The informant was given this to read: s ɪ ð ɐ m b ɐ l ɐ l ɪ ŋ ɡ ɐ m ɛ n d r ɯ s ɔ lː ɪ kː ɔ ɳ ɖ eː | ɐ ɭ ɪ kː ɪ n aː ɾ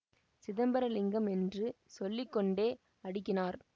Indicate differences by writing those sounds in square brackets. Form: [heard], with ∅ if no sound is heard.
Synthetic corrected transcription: s ɪ ð ɐ m b ɐ [ɾ] ɐ l ɪ ŋ ɡ ɐ m ɛ n d r ɯ s ɔ lː ɪ kː ɔ ɳ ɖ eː | ɐ [ɽ] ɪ kː ɪ n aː ɾ